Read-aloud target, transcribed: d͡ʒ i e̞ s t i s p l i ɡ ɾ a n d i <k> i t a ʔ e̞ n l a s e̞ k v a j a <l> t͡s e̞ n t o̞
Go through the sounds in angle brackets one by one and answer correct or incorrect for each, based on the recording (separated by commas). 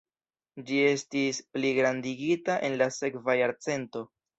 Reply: incorrect, incorrect